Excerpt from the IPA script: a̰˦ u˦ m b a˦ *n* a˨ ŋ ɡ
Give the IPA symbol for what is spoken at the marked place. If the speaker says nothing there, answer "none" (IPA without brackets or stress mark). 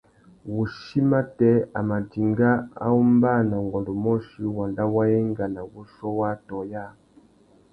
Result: n